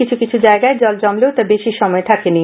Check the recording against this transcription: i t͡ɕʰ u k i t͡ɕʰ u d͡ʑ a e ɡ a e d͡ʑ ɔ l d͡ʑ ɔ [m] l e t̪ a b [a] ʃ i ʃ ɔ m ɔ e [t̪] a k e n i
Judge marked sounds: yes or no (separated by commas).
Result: yes, no, no